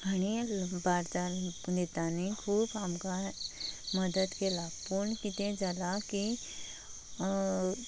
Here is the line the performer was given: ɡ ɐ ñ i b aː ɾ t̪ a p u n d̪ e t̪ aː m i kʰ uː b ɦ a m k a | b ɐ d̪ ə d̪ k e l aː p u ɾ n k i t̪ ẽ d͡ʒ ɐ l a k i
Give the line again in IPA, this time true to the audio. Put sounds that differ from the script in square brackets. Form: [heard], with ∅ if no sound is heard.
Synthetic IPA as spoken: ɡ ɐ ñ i b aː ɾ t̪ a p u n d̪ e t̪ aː [n] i kʰ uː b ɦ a m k a | [m] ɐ d̪ ə d̪ k e l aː p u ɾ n k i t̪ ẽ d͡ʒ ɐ l a k i